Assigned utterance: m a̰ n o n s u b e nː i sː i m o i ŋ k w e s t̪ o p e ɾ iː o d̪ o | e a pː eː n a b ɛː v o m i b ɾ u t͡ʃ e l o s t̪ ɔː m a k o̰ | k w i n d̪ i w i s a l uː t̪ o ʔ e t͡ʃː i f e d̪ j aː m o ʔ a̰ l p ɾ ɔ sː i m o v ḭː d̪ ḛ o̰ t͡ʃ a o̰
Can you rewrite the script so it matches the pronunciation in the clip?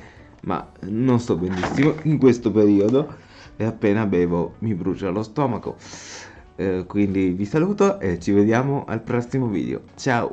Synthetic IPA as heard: m a̰ n o n s ɔ b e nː i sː i m o i ŋ k w e s t̪ o p e ɾ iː o d̪ o | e a pː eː n a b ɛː v o m i b ɾ u t͡ʃ a l o s t̪ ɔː m a k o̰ | k w i n d̪ i v i s a l uː t̪ o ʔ e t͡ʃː i v e d̪ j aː m o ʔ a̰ l p ɾ ɔ sː i m o v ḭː d̪ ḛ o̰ t͡ʃ a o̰